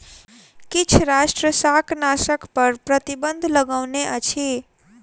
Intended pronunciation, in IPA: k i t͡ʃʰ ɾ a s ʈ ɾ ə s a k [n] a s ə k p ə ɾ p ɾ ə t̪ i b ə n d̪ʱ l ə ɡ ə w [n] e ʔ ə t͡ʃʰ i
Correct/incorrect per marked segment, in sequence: correct, correct

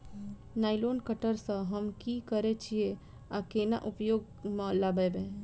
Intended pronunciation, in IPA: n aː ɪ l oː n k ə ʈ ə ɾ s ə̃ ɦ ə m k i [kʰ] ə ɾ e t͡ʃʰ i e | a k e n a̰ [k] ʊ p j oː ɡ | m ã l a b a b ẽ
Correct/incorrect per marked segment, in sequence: incorrect, incorrect

